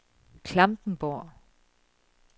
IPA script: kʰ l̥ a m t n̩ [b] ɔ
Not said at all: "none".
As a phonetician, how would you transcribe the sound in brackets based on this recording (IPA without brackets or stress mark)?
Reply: b